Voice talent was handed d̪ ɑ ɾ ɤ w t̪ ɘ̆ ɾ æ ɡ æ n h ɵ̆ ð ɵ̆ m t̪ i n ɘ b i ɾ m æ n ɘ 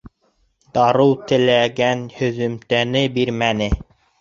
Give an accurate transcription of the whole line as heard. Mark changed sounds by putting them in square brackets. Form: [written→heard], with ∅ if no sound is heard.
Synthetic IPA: d̪ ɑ ɾ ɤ w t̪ ɘ̆ [ɾ→l] æ ɡ æ n h ɵ̆ ð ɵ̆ m t̪ [i→æ] n ɘ b i ɾ m æ n ɘ

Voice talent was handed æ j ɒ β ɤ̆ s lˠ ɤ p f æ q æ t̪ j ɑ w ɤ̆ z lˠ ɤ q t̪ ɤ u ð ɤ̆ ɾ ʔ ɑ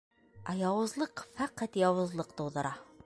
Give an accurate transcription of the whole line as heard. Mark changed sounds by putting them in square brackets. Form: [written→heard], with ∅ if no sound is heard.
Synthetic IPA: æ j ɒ [β→w] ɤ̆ [s→z] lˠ ɤ [p→q] f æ q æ t̪ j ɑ w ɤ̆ z lˠ ɤ q t̪ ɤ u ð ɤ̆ ɾ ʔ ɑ

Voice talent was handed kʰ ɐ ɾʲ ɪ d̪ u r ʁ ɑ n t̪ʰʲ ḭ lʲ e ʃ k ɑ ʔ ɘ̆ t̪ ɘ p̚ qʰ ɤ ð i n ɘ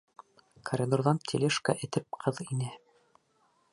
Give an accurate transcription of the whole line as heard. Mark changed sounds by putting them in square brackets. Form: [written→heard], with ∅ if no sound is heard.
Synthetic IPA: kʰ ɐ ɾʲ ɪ d̪ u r [ʁ→ð] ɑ n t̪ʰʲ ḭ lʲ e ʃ k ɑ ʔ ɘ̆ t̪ ɘ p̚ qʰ ɤ ð i n ɘ

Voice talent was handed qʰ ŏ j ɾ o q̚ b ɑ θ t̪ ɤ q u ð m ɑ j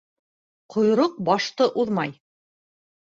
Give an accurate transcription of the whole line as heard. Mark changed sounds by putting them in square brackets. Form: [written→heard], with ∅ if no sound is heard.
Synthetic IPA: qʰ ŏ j ɾ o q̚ b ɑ [θ→ʃ] t̪ ɤ [q→ʔ] u ð m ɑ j

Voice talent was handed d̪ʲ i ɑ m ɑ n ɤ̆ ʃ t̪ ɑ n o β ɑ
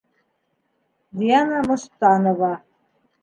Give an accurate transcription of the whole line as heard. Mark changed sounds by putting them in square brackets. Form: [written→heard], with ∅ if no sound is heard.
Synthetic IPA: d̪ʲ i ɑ [m→n] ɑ [n→m] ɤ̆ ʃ t̪ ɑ n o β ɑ

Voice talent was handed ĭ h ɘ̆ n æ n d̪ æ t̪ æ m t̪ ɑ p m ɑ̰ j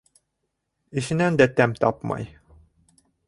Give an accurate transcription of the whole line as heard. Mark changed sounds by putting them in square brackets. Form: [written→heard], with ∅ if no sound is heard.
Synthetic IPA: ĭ [h→ʃ] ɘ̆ n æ n d̪ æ t̪ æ m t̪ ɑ p m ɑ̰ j

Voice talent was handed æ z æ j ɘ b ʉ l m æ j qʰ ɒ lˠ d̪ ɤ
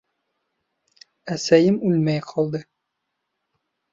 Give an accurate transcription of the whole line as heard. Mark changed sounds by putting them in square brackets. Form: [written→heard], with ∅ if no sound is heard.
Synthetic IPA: æ [z→s] æ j ɘ [b→m] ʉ l m æ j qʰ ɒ lˠ d̪ ɤ

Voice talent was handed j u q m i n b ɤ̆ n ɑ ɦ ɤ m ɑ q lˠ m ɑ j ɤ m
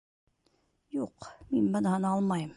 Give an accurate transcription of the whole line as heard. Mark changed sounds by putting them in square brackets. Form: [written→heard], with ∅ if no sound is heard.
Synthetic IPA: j u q m i n b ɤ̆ n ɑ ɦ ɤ [m→n] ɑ [q→∅] lˠ m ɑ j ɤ m

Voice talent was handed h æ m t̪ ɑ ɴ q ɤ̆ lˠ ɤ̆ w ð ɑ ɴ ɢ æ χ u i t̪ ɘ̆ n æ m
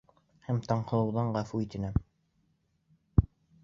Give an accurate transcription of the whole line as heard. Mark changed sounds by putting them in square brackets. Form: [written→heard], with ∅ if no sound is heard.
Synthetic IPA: h æ m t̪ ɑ ɴ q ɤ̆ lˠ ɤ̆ w ð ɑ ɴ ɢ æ [χ→f] u i t̪ ɘ̆ n æ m

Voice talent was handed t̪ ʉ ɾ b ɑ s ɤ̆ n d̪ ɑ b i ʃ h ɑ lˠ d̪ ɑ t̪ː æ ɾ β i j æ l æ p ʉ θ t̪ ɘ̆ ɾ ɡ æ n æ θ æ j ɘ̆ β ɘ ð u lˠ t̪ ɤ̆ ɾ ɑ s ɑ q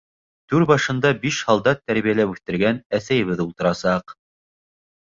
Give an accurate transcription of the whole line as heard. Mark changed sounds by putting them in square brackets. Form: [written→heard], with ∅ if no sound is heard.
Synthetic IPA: t̪ ʉ ɾ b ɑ [s→ʃ] ɤ̆ n d̪ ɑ b i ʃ h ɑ lˠ d̪ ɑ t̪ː æ ɾ β i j æ l æ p ʉ θ t̪ ɘ̆ ɾ ɡ æ n æ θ æ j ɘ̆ β ɘ ð u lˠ t̪ ɤ̆ ɾ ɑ s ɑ q

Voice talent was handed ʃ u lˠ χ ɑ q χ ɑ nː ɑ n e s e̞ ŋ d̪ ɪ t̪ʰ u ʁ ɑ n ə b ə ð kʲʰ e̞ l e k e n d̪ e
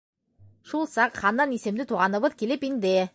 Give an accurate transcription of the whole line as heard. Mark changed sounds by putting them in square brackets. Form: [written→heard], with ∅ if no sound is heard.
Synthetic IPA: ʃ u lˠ [χ→s] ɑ q χ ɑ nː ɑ n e s e̞ [ŋ→m] d̪ ɪ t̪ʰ u ʁ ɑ n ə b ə ð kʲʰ e̞ l e [k→p] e n d̪ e

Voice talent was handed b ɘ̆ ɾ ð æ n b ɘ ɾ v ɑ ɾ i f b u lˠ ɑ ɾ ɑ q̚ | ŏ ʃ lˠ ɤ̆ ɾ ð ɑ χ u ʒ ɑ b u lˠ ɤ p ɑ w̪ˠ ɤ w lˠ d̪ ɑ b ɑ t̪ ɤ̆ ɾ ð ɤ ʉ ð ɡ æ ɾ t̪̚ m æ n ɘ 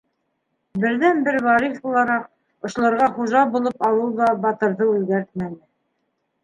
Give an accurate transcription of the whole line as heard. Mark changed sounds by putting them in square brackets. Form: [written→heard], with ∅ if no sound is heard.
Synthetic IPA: b ɘ̆ ɾ ð æ n b ɘ ɾ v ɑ ɾ i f b u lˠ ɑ ɾ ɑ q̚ | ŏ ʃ lˠ ɤ̆ ɾ [ð→ʁ] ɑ χ u ʒ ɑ b u lˠ ɤ p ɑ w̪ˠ ɤ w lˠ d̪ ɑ b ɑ t̪ ɤ̆ ɾ ð ɤ ʉ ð ɡ æ ɾ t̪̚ m æ n ɘ

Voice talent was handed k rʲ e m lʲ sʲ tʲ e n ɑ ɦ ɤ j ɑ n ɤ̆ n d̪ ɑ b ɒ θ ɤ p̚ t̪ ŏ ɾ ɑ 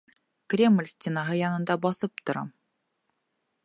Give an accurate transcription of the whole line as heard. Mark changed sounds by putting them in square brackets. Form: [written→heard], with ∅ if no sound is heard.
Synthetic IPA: k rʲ e m lʲ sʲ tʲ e n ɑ ɦ ɤ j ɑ n ɤ̆ n d̪ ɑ b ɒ θ ɤ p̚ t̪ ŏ ɾ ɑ

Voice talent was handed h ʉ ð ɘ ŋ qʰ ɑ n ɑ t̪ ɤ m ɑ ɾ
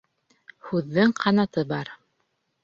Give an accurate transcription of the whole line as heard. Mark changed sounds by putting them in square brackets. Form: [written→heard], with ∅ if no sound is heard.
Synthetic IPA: h ʉ [ð→ðː] ɘ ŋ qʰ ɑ n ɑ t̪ ɤ [m→b] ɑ ɾ

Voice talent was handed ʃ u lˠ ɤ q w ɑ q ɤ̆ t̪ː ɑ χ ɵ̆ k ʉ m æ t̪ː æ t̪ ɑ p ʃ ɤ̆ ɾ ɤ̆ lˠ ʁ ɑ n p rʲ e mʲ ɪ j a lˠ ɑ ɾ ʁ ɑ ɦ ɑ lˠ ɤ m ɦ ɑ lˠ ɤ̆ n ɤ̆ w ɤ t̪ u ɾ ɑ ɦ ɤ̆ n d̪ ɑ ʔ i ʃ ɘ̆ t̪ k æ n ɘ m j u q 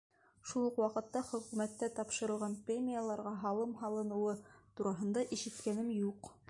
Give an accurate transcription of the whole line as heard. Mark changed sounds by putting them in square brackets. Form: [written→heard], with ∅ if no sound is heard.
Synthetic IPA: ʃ u lˠ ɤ q w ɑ q ɤ̆ t̪ː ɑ χ ɵ̆ k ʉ m æ t̪ː æ t̪ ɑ p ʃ ɤ̆ ɾ ɤ̆ lˠ ʁ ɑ n p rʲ e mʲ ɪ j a lˠ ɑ ɾ ʁ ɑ ɦ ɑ lˠ ɤ m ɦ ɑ lˠ ɤ̆ n ɤ̆ w ɤ t̪ u ɾ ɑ ɦ ɤ̆ n d̪ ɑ ʔ i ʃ ɘ̆ t̪ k æ n ɘ m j u q

